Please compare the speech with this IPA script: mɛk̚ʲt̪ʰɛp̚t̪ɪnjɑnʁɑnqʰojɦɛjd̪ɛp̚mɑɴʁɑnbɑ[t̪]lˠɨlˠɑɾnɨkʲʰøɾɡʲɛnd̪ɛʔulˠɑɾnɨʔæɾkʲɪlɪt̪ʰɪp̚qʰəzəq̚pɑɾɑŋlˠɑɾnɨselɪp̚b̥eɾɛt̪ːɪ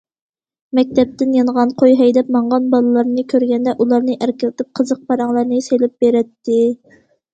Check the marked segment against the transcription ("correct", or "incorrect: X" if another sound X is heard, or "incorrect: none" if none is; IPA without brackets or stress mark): incorrect: none